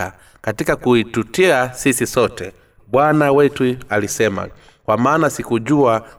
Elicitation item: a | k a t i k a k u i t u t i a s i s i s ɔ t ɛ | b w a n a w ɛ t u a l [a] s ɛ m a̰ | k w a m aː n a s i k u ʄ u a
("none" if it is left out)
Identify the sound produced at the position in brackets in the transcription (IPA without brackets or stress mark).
i